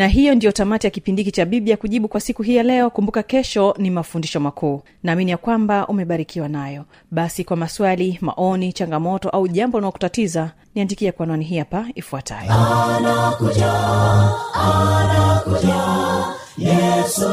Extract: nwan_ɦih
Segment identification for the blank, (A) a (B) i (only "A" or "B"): B